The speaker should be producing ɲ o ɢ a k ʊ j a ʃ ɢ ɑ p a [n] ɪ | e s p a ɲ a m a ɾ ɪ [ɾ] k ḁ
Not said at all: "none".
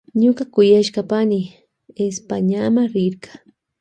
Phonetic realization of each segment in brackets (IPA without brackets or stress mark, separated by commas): n, ɾ